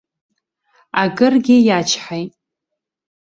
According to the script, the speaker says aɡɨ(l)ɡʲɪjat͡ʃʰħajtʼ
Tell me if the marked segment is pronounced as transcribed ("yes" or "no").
no